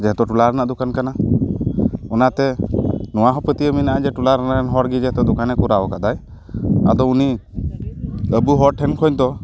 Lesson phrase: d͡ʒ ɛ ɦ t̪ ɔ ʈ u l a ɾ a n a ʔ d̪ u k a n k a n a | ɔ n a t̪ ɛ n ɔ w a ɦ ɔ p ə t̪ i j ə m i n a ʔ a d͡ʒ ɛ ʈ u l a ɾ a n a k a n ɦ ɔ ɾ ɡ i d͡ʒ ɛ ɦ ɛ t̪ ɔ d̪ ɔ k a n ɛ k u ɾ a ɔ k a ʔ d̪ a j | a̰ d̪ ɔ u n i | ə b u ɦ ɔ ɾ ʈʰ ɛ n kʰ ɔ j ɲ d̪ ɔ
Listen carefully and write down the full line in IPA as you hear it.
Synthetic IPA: d͡ʒ ɛ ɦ t̪ ɔ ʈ u l a ɾ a n a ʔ d̪ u k a n k a n a | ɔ n a t̪ ɛ n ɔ w a ɦ ɔ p ə t̪ i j ə m i n a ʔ a d͡ʒ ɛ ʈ u l a ɾ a n a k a n ɦ ɔ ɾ ɡ i d͡ʒ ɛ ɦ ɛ t̪ ɔ d̪ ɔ k a n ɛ k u ɾ a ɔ k a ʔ d̪ a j | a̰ d̪ ɔ u n i | ə b u ɦ ɔ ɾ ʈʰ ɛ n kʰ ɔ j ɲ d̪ ɔ